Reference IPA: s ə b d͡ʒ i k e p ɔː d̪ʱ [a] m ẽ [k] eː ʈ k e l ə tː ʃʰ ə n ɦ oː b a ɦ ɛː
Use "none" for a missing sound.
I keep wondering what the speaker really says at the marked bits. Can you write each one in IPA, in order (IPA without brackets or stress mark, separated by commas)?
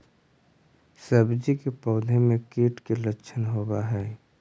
e, k